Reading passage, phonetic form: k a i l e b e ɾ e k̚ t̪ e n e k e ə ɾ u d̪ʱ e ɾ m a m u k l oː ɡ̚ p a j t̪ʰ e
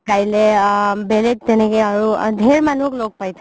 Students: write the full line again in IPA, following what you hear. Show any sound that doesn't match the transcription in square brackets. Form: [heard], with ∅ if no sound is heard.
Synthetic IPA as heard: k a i l e b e [l] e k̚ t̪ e n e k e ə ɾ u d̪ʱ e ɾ m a [n] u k l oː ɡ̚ p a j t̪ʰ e